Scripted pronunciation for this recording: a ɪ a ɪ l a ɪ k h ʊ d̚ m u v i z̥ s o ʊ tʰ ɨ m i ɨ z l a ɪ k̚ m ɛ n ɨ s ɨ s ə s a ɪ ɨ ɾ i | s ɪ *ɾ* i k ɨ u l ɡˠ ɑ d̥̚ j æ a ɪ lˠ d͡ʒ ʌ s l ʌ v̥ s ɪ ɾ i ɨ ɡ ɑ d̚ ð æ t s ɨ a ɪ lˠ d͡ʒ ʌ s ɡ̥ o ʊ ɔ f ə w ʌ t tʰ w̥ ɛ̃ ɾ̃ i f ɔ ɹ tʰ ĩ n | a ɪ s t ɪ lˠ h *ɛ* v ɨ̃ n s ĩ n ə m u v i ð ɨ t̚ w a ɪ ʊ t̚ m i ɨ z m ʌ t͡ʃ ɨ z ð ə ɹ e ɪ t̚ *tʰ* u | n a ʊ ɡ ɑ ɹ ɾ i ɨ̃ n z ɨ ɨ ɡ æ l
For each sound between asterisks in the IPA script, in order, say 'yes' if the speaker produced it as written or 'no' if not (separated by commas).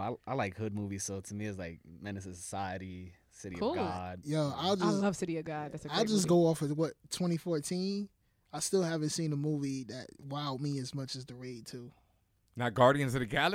yes, no, yes